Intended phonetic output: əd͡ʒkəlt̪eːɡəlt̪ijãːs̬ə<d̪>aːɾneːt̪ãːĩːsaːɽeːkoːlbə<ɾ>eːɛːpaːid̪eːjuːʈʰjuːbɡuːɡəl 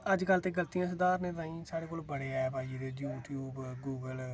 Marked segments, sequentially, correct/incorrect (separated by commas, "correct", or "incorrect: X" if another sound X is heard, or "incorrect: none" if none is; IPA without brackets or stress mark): correct, incorrect: ɽ